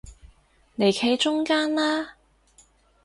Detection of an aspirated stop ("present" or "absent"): present